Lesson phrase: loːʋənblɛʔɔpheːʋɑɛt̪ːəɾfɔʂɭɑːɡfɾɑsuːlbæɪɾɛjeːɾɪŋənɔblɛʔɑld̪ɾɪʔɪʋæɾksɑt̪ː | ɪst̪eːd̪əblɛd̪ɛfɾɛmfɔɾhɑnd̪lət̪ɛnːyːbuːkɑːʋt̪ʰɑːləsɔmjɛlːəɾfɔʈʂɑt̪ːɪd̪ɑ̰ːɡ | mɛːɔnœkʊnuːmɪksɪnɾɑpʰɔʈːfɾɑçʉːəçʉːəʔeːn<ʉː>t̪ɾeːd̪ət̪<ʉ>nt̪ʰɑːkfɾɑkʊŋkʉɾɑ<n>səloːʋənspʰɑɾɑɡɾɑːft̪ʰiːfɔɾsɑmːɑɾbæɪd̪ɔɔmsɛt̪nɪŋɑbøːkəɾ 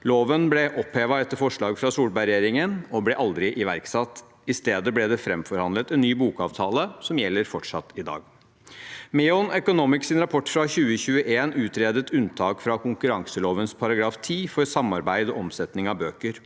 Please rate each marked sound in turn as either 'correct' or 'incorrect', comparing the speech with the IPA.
correct, correct, incorrect

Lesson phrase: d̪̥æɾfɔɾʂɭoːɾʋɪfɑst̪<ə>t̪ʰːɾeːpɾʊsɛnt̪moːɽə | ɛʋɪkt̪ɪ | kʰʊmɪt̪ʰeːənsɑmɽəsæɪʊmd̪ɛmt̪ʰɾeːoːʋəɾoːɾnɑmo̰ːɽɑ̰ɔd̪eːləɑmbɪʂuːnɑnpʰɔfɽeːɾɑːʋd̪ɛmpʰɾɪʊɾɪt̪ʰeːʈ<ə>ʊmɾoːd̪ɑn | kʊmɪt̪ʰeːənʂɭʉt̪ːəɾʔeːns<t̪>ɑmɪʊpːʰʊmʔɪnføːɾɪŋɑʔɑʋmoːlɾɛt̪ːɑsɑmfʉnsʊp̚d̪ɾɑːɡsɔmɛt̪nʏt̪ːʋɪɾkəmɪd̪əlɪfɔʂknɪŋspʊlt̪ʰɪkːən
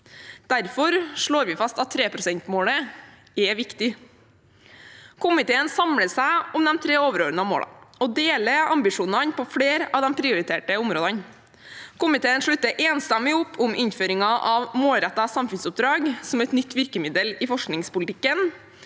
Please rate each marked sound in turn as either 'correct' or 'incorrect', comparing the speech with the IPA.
incorrect, correct, correct

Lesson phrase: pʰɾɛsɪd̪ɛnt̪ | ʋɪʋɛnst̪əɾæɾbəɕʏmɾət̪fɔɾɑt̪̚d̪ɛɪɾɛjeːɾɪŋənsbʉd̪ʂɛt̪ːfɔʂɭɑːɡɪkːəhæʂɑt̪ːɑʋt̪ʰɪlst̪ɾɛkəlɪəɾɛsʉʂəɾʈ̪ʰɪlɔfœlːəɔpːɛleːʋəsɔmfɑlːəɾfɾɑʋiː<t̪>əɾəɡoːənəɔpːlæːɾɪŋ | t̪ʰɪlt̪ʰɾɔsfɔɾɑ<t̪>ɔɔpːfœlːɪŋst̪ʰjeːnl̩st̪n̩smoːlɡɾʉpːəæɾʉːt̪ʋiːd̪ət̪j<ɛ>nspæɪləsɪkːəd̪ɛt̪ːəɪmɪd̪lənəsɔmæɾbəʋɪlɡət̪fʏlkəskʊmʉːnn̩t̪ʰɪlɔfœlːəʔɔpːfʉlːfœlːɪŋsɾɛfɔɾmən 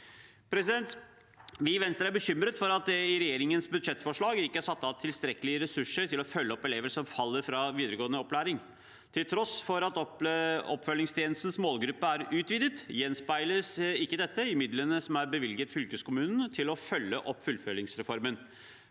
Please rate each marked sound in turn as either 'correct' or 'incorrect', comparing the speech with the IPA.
incorrect, correct, correct

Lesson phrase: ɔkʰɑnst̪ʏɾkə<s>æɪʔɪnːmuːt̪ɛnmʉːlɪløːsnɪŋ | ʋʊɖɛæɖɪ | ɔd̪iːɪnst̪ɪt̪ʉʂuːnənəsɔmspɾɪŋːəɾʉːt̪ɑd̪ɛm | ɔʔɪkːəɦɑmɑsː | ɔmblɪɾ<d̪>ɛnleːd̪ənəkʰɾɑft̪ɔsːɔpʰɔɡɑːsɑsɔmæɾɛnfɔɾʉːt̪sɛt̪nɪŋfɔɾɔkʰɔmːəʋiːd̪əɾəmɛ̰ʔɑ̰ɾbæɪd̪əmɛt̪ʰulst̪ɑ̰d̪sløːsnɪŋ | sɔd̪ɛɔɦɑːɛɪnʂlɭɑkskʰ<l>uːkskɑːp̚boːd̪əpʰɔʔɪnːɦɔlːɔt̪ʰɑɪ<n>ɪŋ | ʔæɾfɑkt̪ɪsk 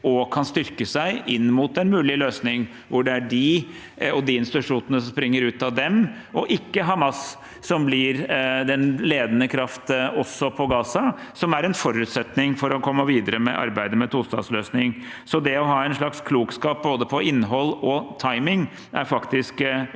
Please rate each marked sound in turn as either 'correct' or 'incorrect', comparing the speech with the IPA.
correct, correct, correct, incorrect

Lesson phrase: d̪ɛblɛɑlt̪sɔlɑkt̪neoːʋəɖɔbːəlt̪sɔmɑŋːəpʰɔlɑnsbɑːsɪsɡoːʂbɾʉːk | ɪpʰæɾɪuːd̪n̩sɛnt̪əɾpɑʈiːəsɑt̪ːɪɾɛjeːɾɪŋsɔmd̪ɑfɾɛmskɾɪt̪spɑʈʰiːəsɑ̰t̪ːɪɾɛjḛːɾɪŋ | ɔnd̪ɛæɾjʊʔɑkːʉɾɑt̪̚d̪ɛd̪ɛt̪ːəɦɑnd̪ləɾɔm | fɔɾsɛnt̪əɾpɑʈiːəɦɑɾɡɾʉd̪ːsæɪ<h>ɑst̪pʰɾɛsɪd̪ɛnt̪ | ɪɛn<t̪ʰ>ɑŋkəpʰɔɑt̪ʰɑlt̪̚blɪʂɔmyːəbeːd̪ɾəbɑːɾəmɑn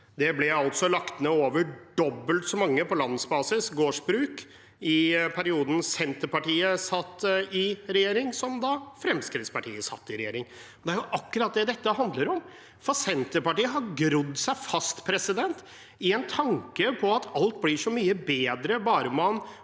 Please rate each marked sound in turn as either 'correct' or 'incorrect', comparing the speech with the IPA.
incorrect, correct

